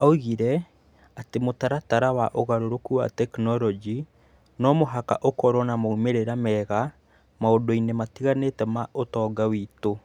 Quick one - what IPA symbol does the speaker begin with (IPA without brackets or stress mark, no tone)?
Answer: a